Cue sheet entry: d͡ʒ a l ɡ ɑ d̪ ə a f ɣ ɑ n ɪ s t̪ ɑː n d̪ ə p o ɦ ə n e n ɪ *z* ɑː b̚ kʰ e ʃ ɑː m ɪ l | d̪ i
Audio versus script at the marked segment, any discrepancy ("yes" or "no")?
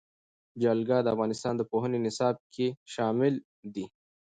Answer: yes